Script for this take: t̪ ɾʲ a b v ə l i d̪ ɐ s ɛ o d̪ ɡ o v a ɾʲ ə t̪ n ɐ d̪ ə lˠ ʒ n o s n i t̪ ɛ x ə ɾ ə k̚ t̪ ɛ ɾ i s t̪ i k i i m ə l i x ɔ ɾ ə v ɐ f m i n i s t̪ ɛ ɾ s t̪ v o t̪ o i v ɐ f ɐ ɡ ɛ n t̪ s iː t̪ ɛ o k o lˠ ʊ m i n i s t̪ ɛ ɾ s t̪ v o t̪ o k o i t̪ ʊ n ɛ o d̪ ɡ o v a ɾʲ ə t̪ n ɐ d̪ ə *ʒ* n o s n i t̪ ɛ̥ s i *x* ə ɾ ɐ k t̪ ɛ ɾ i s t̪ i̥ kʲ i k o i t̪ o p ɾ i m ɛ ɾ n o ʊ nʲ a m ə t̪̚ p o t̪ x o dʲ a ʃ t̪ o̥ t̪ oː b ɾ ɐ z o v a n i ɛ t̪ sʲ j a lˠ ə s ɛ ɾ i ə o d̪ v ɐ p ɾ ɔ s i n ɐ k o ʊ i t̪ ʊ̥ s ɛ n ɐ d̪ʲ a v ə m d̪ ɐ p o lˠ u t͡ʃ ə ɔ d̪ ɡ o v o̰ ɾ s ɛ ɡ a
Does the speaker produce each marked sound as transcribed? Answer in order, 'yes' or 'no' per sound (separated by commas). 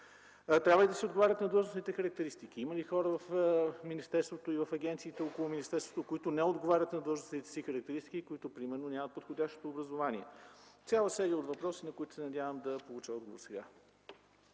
yes, yes